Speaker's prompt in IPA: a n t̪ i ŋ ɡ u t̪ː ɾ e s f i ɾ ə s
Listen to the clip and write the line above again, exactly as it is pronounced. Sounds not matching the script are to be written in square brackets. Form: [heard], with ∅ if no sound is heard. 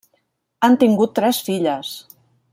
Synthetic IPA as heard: a n t̪ i ŋ ɡ u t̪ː ɾ [ɛ] s f i [ʎ] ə s